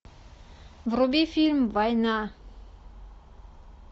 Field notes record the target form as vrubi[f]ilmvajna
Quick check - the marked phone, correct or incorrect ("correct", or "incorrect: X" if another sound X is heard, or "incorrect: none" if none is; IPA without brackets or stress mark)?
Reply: correct